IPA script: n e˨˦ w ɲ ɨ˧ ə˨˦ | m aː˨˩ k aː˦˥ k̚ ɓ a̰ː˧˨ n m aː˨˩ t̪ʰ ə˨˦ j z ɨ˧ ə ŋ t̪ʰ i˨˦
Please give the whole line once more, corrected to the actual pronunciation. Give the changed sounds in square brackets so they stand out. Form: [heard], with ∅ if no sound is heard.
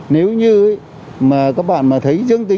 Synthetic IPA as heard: n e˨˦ w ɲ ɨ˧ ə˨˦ | m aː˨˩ k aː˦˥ k̚ ɓ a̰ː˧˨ n m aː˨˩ t̪ʰ ə˨˦ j z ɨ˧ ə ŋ [t̪] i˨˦